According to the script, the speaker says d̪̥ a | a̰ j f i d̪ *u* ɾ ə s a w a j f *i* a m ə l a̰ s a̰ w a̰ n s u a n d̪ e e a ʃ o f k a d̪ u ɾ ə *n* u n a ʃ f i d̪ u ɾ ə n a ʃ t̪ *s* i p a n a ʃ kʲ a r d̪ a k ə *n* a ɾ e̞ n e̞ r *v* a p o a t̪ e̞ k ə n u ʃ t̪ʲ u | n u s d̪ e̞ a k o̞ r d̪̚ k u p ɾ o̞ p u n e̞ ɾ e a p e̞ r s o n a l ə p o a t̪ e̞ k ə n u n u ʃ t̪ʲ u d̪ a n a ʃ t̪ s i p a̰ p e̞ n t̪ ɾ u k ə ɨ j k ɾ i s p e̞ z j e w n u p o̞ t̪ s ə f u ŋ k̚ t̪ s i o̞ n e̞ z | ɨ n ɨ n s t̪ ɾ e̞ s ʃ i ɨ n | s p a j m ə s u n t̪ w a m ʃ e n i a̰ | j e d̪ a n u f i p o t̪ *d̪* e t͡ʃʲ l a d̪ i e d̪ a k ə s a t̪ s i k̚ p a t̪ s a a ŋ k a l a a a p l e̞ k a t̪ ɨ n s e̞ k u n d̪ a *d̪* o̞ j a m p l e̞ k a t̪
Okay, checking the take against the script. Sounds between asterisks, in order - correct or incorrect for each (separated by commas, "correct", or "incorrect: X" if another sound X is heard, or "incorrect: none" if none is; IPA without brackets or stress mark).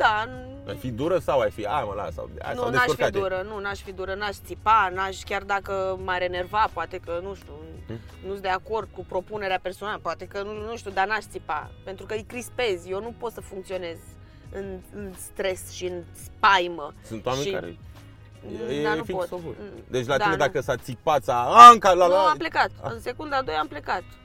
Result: correct, correct, correct, correct, incorrect: m, correct, correct, correct